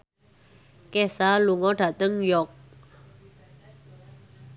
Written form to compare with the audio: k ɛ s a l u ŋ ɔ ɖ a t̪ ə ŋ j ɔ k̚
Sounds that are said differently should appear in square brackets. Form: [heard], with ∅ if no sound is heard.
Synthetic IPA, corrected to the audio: k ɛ s a l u ŋ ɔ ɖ a t̪ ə ŋ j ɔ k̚

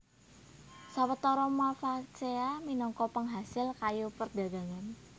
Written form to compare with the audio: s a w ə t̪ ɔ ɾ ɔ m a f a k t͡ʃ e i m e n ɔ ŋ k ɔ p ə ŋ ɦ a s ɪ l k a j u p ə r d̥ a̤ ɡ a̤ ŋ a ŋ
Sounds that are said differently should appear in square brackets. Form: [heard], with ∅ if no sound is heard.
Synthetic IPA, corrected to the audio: s a w ə t̪ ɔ ɾ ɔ m a f a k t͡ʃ e [a] m [i] n ɔ ŋ k ɔ p ə ŋ ɦ a s ɪ l k a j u p ə r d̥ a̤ ɡ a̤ ŋ a [n]

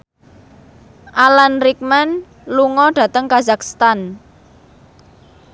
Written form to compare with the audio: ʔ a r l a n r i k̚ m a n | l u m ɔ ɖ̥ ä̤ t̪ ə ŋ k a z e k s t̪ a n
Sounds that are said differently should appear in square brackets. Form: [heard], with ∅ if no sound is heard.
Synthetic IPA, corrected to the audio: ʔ a [∅] l a n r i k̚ m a n | l u [ŋ] ɔ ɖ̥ ä̤ t̪ ə ŋ k a z [a] k s t̪ a n

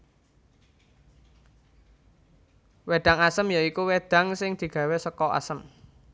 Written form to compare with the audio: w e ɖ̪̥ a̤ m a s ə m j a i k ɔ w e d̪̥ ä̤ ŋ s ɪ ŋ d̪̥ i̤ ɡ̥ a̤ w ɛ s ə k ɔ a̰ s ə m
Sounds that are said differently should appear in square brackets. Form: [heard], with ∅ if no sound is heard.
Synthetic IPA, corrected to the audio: w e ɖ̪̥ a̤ [ŋ] a s ə m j a i k [u] w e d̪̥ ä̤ ŋ s ɪ ŋ d̪̥ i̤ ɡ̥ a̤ w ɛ s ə k ɔ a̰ s ə m

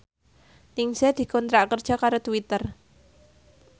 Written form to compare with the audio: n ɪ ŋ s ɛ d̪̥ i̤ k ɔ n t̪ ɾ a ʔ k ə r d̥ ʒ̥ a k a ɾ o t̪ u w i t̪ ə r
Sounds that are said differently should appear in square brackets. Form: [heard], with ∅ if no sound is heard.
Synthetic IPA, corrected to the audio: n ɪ ŋ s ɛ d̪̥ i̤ k ɔ n t̪ ɾ a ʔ k ə r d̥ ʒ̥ a k a ɾ o t̪ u w i t̪ ə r

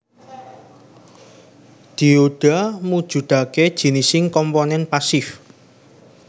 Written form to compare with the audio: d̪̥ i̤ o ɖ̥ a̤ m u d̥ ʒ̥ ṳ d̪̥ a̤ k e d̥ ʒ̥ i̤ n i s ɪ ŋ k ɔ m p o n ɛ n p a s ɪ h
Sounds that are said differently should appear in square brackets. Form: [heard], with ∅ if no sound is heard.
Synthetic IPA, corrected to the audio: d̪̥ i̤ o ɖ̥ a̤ m u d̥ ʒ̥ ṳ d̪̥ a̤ k e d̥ ʒ̥ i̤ n i s ɪ ŋ k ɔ m p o n ɛ n p a s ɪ [f]

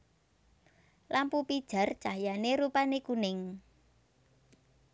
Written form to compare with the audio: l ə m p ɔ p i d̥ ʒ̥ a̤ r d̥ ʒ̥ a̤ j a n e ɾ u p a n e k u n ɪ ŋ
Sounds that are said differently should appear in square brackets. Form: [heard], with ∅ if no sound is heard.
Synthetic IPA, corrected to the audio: l [a] m p [u] p i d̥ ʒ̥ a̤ r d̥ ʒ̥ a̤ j a n e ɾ u p a n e k u n ɪ ŋ

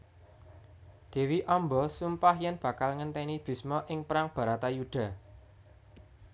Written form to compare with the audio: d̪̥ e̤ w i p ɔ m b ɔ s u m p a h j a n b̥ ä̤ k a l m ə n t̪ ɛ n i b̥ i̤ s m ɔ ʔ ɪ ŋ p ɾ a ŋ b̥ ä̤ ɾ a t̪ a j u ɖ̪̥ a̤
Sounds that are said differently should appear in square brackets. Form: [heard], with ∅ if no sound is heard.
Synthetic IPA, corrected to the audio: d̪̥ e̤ w i [ʔ] ɔ m b ɔ s u m p a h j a n b̥ ä̤ k a l [ŋ] ə n t̪ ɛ n i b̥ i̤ s m ɔ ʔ ɪ ŋ p ɾ a ŋ b̥ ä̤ ɾ a t̪ a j u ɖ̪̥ a̤

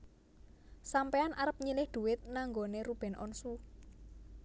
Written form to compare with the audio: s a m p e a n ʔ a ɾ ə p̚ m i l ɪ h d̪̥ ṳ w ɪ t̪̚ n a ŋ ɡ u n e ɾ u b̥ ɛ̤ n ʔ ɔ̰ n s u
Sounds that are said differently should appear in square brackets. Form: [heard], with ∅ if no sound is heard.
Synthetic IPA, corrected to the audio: s a m p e a n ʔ a ɾ ə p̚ [ɲ] i l ɪ h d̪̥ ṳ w ɪ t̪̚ n a ŋ ɡ [o] n e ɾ u b̥ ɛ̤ n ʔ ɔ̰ n s u

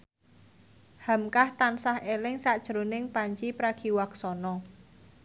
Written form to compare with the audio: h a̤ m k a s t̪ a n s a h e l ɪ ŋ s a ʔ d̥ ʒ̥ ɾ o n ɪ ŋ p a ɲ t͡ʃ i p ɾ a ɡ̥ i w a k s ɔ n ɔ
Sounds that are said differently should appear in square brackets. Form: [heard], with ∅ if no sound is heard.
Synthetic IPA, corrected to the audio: h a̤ m k a [h] t̪ a n s a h e l ɪ ŋ s a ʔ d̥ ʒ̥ ɾ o n ɪ ŋ p a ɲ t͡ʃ i p ɾ a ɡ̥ i w a k s ɔ n ɔ

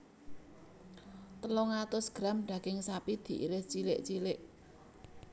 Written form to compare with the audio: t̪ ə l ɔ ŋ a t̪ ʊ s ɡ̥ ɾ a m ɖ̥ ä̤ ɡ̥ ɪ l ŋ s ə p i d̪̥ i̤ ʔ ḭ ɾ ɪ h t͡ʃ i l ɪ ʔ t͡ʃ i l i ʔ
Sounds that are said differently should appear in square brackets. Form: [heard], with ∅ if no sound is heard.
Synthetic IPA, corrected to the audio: t̪ ə l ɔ ŋ a t̪ ʊ s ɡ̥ ɾ a m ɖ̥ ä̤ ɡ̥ ɪ [∅] ŋ s [a] p i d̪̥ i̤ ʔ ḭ ɾ ɪ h t͡ʃ i l ɪ ʔ t͡ʃ i l [ɪ] ʔ

